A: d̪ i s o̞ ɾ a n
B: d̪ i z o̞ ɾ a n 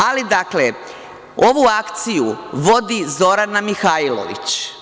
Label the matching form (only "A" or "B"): B